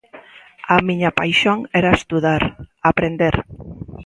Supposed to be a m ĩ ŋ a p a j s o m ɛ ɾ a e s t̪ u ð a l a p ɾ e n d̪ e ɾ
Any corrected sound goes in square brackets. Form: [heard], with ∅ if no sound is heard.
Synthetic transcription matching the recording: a m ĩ [ɲ] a p a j [ʃ] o [ŋ] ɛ ɾ a e s t̪ u ð a [ɾ] a p ɾ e n d̪ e ɾ